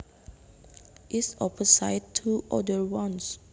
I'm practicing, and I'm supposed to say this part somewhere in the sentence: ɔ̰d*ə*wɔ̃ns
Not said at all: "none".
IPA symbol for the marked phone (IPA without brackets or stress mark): ə